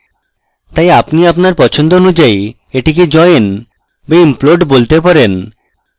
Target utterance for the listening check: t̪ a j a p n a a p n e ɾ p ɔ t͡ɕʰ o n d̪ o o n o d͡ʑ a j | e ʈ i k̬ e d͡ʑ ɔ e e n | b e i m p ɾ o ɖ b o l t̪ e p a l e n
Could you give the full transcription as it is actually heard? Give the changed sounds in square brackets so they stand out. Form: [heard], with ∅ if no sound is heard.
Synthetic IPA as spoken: t̪ a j a p n [i] a p n [a] ɾ p ɔ t͡ɕʰ o n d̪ o o n [u] d͡ʑ a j | e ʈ i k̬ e d͡ʑ ɔ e e n | b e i m p [l] o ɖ b o l t̪ e p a [ɾ] e n